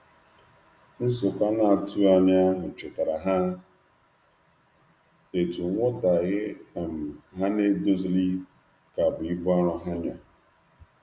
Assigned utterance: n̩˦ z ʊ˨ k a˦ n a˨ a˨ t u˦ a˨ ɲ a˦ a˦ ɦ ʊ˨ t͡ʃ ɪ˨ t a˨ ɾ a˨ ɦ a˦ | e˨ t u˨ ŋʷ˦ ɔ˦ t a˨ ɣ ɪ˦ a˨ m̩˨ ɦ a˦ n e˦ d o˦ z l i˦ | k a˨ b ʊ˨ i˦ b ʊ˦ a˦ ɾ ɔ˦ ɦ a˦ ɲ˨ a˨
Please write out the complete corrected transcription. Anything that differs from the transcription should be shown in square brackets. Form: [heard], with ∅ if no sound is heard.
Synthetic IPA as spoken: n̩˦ [s] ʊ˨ k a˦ n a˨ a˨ t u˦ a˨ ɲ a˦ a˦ ɦ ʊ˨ t͡ʃ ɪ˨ t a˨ ɾ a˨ ɦ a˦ | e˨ t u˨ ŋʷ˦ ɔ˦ t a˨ ɣ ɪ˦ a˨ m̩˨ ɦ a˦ n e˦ d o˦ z l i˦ | k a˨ b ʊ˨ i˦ b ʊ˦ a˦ ɾ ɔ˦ ɦ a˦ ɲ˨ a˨